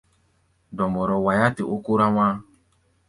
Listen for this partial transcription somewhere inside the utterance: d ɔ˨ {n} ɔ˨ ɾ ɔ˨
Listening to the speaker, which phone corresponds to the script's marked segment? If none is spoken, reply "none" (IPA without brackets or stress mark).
m